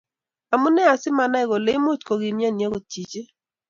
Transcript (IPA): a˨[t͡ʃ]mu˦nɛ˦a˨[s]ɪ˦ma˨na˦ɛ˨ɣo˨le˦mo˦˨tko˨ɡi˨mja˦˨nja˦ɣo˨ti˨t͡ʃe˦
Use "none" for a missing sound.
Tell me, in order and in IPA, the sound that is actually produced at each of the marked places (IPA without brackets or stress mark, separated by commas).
none, s